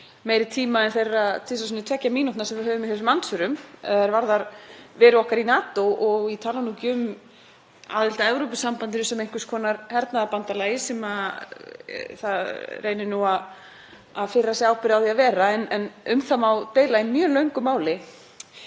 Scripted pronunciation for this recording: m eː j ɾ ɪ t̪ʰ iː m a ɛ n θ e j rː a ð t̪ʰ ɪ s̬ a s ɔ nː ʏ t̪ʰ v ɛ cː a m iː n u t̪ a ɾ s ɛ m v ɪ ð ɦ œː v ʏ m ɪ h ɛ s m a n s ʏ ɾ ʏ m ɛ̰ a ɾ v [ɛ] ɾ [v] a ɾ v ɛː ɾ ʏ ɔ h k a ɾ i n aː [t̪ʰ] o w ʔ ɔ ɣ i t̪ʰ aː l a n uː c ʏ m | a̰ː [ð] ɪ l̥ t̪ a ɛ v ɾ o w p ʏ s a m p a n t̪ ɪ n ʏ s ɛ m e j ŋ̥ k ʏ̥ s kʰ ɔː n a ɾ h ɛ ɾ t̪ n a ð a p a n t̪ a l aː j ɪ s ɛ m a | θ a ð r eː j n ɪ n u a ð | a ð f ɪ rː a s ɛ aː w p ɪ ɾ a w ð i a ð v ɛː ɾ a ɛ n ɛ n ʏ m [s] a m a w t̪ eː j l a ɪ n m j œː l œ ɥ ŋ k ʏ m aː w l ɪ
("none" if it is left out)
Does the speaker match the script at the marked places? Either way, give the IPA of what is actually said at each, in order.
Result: a, ð, t̪, ð, θ

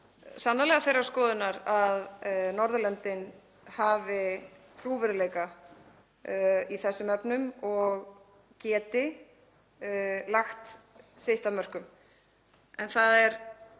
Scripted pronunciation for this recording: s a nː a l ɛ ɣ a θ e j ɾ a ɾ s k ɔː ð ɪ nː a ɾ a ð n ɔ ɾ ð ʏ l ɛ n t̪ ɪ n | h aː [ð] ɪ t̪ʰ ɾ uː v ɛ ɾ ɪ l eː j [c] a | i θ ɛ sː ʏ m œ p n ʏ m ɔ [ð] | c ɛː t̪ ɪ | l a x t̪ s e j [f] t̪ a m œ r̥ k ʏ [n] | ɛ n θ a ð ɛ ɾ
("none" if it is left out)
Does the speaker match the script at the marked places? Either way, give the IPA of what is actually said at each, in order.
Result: v, k, ɣ, h, m

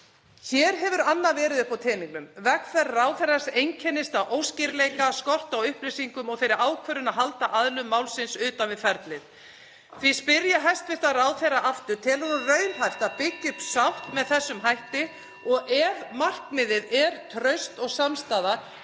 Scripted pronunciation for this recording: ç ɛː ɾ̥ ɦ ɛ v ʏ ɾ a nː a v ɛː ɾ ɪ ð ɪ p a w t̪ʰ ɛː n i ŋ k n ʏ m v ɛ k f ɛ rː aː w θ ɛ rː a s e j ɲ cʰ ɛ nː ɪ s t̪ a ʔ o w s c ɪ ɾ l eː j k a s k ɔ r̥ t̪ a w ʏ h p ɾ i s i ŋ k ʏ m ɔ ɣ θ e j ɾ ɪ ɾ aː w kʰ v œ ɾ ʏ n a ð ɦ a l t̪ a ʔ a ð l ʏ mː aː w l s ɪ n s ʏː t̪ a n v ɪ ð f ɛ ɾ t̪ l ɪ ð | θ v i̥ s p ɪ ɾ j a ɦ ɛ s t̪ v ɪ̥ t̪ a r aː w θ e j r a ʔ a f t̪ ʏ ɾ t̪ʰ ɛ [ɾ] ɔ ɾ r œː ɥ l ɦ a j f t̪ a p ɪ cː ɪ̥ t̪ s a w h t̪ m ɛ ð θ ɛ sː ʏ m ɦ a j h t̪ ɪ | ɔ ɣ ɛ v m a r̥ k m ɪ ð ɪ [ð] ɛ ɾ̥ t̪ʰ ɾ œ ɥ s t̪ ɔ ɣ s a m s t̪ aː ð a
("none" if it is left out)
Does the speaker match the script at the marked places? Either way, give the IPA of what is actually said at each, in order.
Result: l, ð

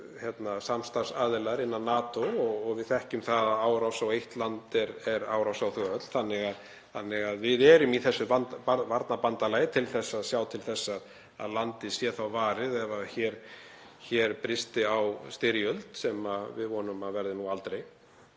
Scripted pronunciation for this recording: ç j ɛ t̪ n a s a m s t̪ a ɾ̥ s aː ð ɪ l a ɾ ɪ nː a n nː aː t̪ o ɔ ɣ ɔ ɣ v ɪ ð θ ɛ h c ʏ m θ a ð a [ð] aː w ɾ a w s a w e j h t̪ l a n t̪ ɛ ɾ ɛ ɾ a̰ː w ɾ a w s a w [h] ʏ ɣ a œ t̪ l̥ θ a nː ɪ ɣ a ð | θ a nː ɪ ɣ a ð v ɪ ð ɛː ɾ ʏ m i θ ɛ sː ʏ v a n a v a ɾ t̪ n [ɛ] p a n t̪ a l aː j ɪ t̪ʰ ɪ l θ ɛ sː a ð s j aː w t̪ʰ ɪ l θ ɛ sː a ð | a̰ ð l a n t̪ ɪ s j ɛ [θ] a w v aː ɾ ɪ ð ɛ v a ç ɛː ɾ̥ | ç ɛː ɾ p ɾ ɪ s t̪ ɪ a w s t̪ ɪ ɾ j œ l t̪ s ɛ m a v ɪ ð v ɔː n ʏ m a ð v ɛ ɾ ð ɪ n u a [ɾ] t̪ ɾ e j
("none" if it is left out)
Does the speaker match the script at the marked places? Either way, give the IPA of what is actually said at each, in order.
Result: ð, θ, a, θ, l

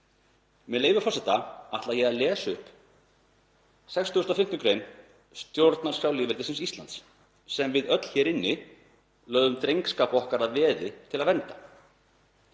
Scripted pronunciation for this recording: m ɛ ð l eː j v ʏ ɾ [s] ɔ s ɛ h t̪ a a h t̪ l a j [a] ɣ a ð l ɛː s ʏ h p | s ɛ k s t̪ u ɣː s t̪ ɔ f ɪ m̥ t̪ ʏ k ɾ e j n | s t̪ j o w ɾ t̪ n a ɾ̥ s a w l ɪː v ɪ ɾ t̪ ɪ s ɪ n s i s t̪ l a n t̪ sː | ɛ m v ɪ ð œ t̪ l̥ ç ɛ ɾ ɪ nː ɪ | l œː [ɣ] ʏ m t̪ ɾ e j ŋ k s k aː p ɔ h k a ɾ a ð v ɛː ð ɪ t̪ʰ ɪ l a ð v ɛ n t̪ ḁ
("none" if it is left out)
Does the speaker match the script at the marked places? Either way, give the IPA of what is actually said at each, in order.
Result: f, ɛ, ð

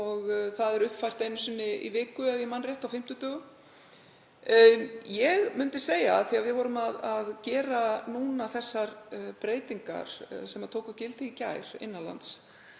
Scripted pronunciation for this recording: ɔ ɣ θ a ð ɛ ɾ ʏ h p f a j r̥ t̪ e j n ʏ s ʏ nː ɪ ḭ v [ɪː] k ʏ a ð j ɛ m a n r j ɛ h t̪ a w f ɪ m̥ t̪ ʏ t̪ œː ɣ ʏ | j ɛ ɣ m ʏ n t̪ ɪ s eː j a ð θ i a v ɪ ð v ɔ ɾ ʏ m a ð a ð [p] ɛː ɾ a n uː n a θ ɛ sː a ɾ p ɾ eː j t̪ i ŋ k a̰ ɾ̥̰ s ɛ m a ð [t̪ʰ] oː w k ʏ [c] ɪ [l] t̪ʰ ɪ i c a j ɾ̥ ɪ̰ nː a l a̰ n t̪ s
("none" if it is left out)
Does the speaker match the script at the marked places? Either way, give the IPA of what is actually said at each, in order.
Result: ɪː, c, t̪ʰ, c, l

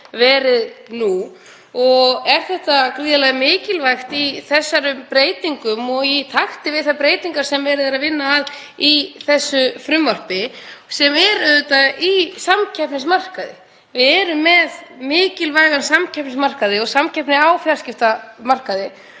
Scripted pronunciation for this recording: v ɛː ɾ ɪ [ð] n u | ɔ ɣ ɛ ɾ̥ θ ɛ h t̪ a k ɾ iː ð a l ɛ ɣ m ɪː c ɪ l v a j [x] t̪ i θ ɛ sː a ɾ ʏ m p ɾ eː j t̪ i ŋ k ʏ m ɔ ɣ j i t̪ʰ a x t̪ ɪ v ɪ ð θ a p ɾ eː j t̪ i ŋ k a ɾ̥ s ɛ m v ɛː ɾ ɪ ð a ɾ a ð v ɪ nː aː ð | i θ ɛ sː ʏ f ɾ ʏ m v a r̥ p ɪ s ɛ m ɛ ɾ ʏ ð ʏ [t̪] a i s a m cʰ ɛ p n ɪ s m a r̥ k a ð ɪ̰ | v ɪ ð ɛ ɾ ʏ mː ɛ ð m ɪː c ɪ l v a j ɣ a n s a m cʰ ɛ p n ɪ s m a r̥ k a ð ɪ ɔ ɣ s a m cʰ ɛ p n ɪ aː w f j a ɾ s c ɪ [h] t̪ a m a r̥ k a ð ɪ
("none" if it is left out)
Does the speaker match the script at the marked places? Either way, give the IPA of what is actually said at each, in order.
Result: ð, x, t̪, f

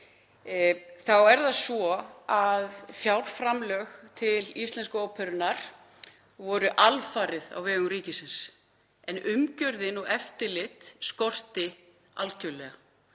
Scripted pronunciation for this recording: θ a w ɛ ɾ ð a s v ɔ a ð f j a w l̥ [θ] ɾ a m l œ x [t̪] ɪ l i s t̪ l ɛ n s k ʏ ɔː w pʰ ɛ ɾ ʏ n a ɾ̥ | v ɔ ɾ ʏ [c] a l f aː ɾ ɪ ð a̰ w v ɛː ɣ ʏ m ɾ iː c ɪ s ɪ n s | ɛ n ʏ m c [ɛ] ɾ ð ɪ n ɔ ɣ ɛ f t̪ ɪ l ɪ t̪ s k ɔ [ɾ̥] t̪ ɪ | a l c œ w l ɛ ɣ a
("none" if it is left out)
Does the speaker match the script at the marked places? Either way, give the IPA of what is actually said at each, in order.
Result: f, t̪ʰ, ʔ, œ, r̥

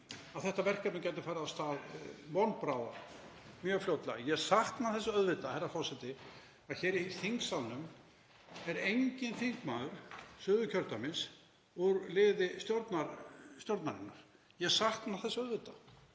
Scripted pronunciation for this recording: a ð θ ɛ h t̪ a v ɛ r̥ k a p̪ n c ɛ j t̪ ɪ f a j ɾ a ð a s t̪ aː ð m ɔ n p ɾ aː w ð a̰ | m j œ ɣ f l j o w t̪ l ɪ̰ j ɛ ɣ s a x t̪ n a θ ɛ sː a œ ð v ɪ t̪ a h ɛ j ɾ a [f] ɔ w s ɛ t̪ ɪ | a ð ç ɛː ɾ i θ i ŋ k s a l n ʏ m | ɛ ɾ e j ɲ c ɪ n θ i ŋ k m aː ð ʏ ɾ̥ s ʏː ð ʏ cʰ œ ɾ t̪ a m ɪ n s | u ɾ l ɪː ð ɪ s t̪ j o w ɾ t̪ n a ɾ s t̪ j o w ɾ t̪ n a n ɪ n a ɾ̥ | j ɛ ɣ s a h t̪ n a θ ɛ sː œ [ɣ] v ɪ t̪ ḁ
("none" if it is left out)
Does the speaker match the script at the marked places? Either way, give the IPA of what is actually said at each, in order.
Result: f, ð

